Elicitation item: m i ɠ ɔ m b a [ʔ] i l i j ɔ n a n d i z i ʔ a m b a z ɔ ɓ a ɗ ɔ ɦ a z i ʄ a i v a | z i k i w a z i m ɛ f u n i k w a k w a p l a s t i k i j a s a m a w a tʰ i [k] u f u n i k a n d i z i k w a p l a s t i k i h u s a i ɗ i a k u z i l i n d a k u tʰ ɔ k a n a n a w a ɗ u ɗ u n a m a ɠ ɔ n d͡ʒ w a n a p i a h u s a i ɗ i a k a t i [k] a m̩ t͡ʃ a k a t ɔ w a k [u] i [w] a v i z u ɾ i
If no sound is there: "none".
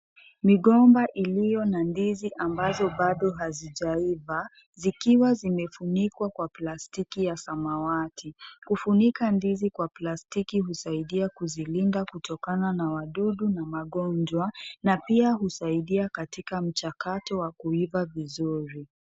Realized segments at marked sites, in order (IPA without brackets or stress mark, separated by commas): ʔ, k, k, u, v